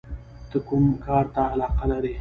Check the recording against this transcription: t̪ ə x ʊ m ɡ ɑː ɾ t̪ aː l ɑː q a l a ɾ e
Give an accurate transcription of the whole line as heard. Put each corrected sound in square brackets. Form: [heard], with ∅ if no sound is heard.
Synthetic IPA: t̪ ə [k] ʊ m [k] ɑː ɾ t̪ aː l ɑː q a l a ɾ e